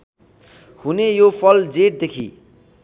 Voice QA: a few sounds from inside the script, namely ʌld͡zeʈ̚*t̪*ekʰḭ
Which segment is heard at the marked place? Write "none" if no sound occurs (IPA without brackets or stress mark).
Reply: d̪